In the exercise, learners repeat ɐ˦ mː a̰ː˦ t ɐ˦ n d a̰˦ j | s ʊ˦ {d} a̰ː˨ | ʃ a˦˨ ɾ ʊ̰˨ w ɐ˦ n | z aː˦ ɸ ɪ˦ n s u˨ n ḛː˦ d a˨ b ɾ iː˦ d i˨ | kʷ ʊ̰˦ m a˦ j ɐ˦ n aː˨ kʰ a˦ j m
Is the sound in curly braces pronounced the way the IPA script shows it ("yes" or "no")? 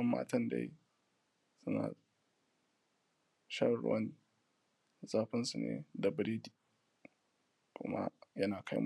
no